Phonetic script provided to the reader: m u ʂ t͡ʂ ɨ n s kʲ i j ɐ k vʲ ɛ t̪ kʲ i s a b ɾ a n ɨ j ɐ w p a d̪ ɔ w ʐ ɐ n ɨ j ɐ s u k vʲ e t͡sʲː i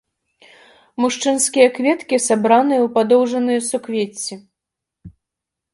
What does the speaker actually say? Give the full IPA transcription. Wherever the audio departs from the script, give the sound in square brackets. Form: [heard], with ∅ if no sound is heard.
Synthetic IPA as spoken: m u ʂ t͡ʂ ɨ n s kʲ i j ɐ k vʲ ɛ t̪ kʲ i s a b ɾ a n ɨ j ɐ w p a d̪ ɔ w ʐ ɐ n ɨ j ɐ s u k vʲ e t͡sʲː i